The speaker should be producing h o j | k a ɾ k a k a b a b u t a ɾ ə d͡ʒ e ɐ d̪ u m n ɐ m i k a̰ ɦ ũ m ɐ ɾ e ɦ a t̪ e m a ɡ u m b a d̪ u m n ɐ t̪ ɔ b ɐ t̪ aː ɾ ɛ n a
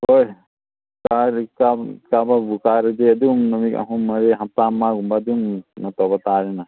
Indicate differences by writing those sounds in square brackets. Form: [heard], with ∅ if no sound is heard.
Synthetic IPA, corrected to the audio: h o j | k a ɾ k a k a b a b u [k] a ɾ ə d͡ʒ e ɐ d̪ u m n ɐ m i k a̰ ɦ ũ m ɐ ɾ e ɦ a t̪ [a] m a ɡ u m b a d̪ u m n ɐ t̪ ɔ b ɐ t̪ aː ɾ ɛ n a

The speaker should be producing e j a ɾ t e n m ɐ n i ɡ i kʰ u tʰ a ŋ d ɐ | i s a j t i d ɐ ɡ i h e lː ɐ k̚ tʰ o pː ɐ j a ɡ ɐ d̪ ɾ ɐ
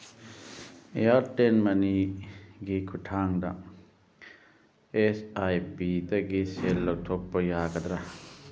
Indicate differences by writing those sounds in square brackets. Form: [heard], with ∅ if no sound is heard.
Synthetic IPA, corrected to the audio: e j a ɾ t e n m ɐ n i ɡ i kʰ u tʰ a ŋ d ɐ | [e] s a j [p] i d ɐ ɡ i [s] e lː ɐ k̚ tʰ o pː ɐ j a ɡ ɐ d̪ ɾ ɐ

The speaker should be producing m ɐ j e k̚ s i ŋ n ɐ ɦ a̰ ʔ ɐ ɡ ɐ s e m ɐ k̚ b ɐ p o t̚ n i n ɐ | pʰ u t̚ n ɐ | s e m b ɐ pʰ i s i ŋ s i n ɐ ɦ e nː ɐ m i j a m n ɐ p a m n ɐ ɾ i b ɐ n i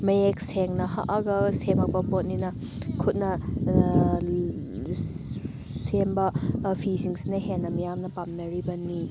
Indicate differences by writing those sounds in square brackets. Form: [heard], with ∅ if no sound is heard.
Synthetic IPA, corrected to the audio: m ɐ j e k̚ s [e] ŋ n ɐ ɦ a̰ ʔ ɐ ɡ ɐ s e m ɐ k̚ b ɐ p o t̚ n i n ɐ | [kʰ] u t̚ n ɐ | s e m b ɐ pʰ i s i ŋ s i n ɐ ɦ e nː ɐ m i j a m n ɐ p a m n ɐ ɾ i b ɐ n i

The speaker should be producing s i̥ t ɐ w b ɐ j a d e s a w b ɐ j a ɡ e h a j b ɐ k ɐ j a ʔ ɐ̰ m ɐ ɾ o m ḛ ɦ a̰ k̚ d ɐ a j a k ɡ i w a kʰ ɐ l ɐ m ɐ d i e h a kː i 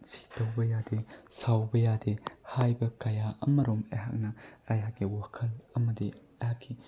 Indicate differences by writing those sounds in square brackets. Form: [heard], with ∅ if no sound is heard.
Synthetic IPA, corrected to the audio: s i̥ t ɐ w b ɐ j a d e s a w b ɐ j a [d] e h a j b ɐ k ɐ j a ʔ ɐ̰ m ɐ ɾ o m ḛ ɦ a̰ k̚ [n] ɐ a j a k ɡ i w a kʰ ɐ l ɐ m ɐ d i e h a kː i

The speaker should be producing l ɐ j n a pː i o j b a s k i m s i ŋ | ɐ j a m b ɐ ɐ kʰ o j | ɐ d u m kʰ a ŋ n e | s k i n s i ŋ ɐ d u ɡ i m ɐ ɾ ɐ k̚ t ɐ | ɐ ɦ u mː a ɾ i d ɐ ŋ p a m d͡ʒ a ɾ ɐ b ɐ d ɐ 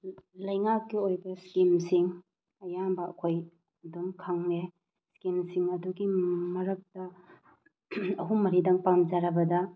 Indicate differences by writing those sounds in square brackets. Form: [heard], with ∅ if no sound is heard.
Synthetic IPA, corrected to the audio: l ɐ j [ŋ] a [kː] i o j b [ɐ] s k i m s i ŋ | ɐ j a m b ɐ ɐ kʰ o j | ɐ d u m kʰ a ŋ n e | s k i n s i ŋ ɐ d u ɡ i m ɐ ɾ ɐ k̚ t ɐ | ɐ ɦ u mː [ɐ] ɾ i d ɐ ŋ p a m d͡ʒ a ɾ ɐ b ɐ d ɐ

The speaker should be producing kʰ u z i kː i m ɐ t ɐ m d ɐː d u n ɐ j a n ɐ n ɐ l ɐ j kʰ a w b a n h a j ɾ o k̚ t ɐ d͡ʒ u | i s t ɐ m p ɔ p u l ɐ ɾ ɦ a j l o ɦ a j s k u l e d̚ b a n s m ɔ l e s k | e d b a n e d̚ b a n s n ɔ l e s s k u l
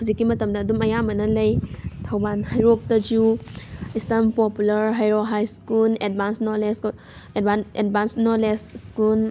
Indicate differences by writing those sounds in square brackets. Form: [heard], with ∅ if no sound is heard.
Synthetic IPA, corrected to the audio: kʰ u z i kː i m ɐ t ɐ m d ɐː d u [m] ɐ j a [m] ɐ n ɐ l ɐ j [tʰ] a w b a n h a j ɾ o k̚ t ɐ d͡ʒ u | i s t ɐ m p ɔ p u l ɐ ɾ ɦ a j [ɾ] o ɦ a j s k u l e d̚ b a n s [n] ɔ l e s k | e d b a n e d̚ b a n s n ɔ l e s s k u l

